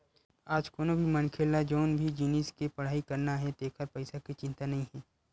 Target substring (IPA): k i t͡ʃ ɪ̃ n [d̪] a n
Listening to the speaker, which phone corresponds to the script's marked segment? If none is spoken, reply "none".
t̪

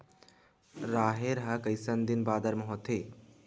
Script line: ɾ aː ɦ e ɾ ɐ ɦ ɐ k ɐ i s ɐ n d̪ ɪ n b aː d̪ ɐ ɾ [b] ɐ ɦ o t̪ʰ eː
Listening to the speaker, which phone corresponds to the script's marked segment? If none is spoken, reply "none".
m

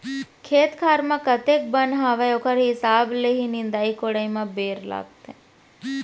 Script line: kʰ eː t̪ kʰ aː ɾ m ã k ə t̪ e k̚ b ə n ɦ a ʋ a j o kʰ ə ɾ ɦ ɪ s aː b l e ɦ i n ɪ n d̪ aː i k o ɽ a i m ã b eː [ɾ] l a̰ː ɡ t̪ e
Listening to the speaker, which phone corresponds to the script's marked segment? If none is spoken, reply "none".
ɾ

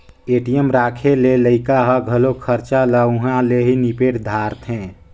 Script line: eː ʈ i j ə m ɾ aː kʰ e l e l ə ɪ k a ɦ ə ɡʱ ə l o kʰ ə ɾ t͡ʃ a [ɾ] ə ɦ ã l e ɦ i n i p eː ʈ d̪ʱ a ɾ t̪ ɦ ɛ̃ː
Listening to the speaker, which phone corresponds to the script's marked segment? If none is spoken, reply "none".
l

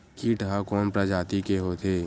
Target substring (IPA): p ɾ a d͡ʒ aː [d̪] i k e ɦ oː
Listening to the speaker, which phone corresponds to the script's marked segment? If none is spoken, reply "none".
t̪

